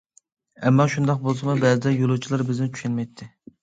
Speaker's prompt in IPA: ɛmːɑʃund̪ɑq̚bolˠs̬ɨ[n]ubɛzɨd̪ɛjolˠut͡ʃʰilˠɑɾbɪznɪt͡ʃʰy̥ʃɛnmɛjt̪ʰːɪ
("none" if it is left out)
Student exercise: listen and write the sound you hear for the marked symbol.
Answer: m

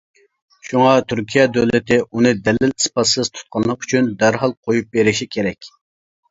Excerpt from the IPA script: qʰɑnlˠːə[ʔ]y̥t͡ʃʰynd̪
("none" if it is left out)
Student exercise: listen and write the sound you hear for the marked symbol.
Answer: q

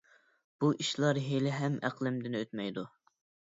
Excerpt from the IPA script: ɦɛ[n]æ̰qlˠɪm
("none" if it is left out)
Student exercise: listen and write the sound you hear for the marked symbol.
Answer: m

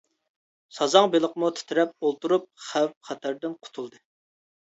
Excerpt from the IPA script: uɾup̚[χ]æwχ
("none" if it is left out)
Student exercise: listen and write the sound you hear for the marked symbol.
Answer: χ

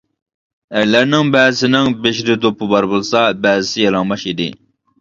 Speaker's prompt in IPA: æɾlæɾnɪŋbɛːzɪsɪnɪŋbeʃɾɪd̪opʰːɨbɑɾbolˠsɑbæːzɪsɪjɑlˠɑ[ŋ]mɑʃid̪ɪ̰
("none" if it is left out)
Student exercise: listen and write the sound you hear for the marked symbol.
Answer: ŋ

